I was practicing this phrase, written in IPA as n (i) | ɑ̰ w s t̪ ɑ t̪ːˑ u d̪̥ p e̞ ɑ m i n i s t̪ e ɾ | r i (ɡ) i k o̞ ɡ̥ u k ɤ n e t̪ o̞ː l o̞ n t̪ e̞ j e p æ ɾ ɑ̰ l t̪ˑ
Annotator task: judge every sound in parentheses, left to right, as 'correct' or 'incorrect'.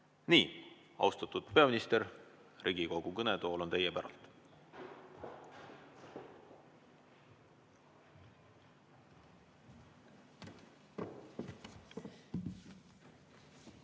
incorrect: iː, correct

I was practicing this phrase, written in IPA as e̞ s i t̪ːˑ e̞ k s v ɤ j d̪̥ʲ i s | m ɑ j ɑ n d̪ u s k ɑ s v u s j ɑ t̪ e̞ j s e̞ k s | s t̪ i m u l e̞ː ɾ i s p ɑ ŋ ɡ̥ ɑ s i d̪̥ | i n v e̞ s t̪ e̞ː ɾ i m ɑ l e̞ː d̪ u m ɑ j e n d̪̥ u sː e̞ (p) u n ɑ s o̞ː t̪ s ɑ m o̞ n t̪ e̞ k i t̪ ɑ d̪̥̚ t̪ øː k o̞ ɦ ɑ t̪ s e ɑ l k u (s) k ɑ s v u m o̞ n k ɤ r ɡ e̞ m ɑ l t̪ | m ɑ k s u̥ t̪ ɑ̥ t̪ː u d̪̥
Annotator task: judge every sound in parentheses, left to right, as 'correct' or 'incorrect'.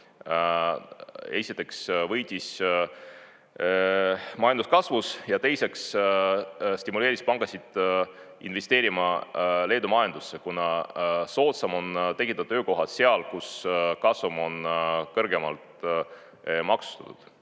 incorrect: k, correct

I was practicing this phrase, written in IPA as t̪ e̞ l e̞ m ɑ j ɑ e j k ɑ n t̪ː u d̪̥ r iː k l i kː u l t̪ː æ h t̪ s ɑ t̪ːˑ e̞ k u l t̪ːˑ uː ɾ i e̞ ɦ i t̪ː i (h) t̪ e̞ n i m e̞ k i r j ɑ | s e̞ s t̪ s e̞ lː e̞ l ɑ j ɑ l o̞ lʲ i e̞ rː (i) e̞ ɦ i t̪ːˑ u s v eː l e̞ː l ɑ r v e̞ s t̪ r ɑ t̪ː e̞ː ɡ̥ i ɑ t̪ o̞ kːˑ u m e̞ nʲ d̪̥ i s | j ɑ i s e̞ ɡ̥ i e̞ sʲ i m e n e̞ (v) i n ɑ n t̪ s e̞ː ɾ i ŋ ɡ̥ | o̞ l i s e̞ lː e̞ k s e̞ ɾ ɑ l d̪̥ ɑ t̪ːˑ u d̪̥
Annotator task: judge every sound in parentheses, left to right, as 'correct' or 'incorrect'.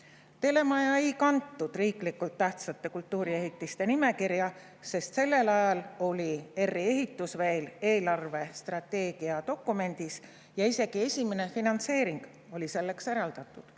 incorrect: s, correct, incorrect: f

